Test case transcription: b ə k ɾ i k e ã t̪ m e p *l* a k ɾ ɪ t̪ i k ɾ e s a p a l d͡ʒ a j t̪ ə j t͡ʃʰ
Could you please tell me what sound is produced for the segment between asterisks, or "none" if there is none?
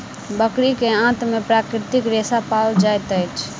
ɾ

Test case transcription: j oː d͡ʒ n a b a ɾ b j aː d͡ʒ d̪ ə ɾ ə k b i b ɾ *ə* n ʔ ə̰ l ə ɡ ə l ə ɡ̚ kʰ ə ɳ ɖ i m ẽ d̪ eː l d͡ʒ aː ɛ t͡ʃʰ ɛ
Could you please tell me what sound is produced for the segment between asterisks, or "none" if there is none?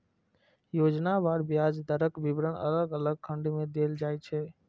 ə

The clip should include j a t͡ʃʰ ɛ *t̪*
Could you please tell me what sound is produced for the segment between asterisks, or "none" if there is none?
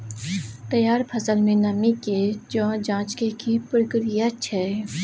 none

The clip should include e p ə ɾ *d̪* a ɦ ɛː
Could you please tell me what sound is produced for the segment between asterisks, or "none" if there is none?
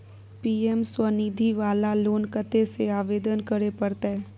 t̪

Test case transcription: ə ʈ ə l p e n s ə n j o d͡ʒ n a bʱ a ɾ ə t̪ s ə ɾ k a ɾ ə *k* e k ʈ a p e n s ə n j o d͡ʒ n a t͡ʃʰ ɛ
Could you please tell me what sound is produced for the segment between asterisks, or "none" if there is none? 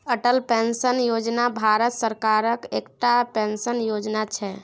k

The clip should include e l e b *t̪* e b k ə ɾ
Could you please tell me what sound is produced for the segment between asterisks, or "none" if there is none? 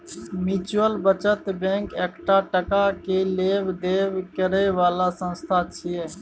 d̪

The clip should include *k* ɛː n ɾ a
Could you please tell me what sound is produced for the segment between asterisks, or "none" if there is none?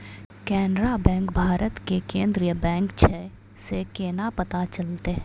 k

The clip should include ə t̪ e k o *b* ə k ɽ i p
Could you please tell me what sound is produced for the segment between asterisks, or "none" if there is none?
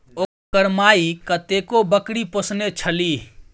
b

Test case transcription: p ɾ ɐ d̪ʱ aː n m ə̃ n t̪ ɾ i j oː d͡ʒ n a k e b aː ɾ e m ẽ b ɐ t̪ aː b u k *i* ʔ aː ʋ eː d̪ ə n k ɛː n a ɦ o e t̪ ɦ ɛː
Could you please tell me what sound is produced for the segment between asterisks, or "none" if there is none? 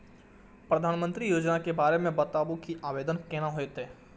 i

